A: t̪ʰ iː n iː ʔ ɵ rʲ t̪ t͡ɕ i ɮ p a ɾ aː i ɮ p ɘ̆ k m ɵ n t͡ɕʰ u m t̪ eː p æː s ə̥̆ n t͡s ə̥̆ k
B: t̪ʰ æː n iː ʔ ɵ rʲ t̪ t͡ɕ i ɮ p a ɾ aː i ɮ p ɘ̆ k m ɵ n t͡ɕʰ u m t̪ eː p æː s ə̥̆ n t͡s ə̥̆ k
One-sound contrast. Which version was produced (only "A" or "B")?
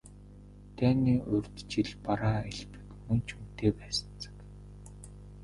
B